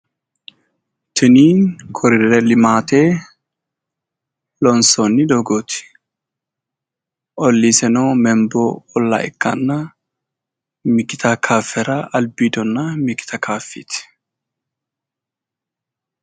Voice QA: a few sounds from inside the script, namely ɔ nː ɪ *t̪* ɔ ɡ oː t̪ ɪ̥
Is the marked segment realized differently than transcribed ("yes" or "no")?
yes